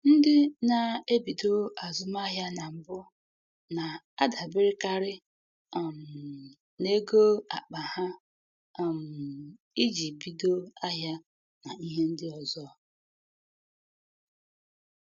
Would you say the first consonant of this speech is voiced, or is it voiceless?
voiced